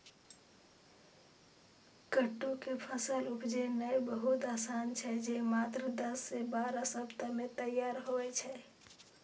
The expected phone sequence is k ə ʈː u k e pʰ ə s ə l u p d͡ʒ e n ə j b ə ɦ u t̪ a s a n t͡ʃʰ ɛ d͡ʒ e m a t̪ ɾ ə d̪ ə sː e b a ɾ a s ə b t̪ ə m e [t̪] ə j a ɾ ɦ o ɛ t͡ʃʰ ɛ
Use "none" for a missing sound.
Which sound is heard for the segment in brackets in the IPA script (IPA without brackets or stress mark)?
t̪